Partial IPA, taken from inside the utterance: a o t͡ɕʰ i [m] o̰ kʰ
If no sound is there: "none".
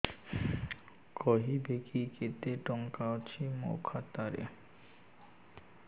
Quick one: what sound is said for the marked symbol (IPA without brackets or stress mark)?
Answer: m